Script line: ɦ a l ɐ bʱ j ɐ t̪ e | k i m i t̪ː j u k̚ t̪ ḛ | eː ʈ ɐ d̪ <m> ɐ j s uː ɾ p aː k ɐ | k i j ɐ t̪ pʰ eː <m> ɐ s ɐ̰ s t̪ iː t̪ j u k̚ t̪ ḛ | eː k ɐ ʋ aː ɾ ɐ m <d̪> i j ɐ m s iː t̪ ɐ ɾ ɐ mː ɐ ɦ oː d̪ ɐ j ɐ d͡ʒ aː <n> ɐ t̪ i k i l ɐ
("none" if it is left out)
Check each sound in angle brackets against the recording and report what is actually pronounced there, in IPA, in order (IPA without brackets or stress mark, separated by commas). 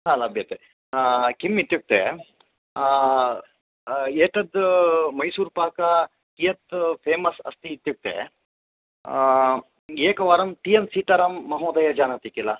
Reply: m, m, t̪, n